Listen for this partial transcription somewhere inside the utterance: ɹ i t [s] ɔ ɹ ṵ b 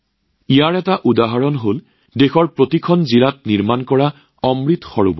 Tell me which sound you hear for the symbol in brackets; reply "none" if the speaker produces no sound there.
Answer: x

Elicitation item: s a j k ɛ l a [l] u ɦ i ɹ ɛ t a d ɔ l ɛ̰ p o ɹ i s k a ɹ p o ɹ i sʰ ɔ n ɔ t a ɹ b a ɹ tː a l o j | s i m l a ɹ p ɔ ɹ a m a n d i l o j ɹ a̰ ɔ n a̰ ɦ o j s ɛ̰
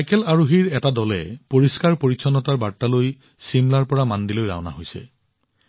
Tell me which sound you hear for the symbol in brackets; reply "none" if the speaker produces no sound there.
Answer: ɹ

